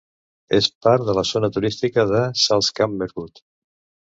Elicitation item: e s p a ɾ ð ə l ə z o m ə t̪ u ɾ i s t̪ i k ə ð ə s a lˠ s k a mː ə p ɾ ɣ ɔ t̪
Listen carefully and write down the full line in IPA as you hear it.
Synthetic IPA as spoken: e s p a ɾ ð ə l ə z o n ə t̪ u ɾ i s t̪ i k ə ð ə s a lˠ s k a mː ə ɾ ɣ u t̪